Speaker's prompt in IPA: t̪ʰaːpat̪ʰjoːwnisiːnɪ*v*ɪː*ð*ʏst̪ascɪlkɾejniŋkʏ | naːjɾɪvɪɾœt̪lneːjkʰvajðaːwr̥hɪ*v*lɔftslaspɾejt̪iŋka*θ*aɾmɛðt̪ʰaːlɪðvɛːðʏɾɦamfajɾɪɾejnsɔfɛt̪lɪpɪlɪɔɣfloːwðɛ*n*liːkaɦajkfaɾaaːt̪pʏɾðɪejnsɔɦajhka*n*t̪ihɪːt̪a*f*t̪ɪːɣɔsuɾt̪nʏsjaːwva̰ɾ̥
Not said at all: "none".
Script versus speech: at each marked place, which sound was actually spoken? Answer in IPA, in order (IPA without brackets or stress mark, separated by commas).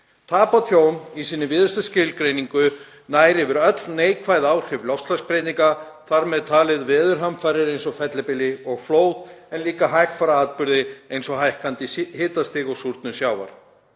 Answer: v, ð, v, θ, n, n, s